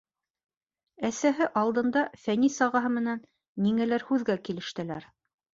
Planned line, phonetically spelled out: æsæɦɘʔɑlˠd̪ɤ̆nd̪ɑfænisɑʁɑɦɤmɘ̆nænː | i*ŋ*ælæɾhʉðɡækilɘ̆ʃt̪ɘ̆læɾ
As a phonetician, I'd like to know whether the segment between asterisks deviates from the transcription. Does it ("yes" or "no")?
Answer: no